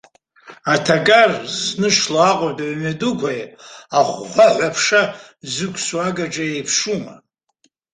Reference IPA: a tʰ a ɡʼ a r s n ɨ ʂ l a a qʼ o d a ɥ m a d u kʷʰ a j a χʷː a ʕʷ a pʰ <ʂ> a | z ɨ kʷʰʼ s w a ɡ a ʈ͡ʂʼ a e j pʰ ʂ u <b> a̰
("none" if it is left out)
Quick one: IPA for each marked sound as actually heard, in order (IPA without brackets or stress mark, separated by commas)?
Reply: ʂ, m